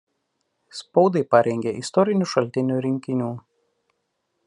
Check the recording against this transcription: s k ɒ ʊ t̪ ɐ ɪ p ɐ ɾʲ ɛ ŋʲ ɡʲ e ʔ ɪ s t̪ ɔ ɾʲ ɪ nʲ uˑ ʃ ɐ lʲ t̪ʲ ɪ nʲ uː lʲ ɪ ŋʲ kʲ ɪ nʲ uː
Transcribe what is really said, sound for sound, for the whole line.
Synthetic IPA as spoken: s p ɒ ʊ d̪ ɐ ɪ p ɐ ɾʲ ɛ ŋʲ ɡʲ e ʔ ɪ s t̪ ɔ ɾʲ ɪ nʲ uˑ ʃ ɐ lʲ t̪ʲ ɪ nʲ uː ɾʲ ɪ ŋʲ kʲ ɪ nʲ uː